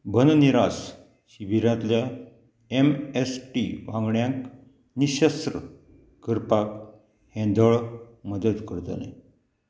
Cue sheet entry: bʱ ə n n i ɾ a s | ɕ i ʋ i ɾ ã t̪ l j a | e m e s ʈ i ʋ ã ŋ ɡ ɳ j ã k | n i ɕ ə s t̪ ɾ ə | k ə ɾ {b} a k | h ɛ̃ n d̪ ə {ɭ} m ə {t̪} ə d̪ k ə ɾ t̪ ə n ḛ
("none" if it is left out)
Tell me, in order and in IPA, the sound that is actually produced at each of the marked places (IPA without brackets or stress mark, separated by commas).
p, ɭ, d̪